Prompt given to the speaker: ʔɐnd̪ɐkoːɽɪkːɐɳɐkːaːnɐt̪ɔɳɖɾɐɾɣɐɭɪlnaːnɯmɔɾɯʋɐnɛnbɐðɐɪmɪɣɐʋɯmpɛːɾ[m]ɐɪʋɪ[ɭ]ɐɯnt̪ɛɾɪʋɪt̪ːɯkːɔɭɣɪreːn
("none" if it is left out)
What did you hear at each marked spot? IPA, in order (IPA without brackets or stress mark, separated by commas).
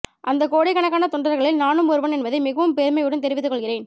m, ɽ